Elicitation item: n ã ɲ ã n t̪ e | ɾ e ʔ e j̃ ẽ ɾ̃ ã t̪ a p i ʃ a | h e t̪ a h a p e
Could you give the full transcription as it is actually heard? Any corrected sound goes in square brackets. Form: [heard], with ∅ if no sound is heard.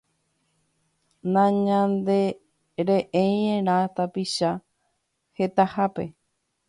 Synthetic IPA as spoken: n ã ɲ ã n [d̪] e | ɾ e ʔ e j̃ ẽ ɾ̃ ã t̪ a p i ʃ a | h e t̪ a h a p e